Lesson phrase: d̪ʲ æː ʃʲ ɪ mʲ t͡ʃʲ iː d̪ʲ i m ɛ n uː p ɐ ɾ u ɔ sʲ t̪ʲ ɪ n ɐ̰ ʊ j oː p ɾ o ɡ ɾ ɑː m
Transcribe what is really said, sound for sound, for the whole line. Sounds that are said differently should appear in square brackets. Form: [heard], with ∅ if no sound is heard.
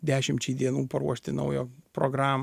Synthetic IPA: d̪ʲ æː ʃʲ ɪ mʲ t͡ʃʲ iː d̪ʲ i [∅] ɛ n uː p ɐ ɾ u ɔ [ʃʲ] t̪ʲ ɪ n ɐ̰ ʊ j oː p ɾ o ɡ ɾ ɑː m